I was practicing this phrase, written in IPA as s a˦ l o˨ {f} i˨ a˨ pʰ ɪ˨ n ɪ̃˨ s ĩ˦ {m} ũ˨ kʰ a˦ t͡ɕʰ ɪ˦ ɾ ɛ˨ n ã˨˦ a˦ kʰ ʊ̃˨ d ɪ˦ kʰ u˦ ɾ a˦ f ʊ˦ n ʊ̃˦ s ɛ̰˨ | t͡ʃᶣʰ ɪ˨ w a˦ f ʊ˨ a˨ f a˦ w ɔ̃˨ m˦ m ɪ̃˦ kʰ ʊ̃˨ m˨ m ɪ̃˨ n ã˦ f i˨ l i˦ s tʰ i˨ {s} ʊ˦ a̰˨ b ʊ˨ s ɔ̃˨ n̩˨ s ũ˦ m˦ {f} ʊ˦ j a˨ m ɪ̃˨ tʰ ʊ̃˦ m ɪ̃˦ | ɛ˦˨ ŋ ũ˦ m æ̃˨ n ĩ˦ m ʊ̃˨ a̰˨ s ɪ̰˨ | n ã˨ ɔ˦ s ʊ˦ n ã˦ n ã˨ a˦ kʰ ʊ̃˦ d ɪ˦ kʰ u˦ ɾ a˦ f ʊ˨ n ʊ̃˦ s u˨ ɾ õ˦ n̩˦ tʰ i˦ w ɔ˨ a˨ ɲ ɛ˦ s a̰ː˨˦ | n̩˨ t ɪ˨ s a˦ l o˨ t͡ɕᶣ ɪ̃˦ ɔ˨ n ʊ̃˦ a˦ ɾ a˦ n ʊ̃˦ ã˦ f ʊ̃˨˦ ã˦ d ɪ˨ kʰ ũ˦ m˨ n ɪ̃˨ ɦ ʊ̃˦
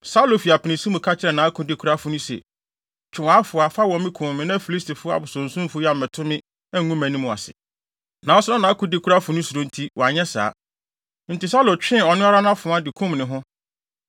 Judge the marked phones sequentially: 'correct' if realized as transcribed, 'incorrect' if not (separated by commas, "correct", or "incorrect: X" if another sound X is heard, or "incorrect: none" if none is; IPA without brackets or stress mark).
correct, correct, incorrect: f, correct